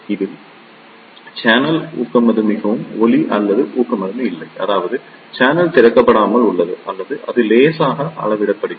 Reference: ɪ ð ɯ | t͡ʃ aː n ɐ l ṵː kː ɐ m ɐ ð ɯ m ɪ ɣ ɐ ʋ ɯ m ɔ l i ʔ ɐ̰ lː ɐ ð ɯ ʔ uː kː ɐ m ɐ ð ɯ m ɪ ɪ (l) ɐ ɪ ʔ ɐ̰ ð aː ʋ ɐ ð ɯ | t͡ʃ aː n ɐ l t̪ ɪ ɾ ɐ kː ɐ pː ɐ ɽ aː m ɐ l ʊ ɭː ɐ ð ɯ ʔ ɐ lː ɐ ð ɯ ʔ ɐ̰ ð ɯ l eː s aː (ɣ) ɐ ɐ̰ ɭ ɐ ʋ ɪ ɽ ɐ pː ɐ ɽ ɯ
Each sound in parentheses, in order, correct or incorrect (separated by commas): incorrect, correct